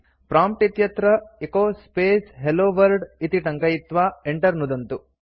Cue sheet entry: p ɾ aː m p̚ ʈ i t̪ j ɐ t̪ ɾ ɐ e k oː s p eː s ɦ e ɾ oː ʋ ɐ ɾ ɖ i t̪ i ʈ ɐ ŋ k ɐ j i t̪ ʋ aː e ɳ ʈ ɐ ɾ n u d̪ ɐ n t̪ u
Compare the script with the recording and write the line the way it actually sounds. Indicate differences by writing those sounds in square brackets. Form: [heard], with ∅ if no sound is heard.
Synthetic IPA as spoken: p ɾ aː m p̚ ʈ i t̪ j ɐ t̪ ɾ ɐ e k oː s p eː s ɦ e [l] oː ʋ ɐ ɾ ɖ i t̪ i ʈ ɐ ŋ k ɐ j i t̪ ʋ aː e ɳ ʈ ɐ ɾ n u d̪ ɐ n t̪ u